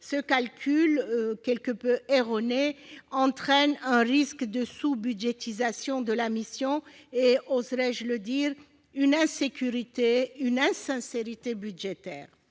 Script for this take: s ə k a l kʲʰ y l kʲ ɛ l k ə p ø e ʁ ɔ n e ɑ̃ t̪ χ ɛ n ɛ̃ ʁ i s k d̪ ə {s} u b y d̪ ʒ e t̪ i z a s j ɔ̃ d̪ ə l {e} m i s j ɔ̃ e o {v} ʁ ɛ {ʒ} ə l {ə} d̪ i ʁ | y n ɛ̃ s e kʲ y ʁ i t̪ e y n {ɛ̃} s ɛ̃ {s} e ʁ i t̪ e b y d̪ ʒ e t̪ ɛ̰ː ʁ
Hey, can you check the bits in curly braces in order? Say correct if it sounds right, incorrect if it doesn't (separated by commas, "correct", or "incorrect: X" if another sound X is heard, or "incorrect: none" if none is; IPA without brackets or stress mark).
correct, incorrect: a, incorrect: z, correct, correct, correct, correct